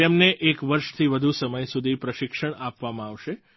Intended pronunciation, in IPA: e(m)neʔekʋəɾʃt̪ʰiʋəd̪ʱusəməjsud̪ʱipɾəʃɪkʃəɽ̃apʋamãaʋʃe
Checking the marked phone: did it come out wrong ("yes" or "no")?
no